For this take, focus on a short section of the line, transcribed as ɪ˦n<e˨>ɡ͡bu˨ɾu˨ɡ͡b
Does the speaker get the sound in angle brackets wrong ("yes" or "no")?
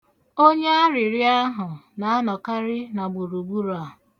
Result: yes